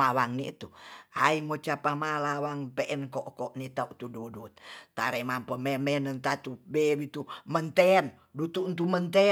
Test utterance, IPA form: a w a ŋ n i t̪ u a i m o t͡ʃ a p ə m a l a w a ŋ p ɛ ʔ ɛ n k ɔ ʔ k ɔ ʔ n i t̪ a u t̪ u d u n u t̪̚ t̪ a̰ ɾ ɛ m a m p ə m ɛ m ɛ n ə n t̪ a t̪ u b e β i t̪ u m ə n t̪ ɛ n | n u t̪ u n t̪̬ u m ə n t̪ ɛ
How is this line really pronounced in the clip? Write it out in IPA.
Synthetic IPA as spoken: a w a ŋ n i t̪ u a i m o t͡ʃ a p a m a l a w a ŋ p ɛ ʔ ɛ n k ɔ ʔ k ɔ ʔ n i t̪ a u t̪ u d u d u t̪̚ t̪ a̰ ɾ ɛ m a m p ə m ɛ m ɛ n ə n t̪ a t̪ u b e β i t̪ u m ə n t̪ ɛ n | d u t̪ u n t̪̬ u m ə n t̪ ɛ